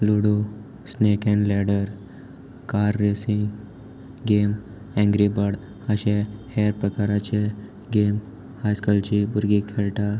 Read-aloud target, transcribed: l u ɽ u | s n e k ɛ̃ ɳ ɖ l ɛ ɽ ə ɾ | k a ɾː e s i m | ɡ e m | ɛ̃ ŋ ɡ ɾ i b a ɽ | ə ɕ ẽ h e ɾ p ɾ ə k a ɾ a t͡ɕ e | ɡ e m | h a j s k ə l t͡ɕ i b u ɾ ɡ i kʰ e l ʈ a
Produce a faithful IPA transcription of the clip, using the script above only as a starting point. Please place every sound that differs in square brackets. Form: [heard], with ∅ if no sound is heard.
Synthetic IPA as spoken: l u ɽ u | s n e k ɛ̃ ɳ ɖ l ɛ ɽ ə ɾ | k a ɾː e s i [ŋ] | ɡ e m | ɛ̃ ŋ ɡ ɾ i b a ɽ | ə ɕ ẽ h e ɾ p ɾ ə k a ɾ a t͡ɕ e | ɡ e m | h a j s k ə l t͡ɕ i b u ɾ ɡ i kʰ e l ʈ a